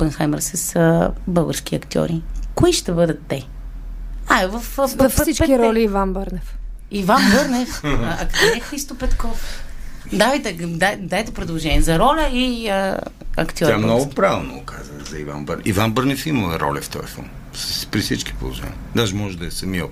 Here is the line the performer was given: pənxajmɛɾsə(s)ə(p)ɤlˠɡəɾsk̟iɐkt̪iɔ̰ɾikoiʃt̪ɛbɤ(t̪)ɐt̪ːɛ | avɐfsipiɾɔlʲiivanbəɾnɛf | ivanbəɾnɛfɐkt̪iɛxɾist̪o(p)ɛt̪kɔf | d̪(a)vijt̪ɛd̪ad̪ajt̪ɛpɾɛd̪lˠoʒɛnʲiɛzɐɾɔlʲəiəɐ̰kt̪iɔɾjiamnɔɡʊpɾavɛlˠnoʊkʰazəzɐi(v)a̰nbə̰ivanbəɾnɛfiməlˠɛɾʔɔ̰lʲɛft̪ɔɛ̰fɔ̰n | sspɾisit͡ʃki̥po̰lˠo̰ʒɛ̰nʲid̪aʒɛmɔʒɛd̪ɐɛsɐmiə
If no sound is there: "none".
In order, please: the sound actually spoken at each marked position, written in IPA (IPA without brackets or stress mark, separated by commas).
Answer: s, b, d̪, p, a, v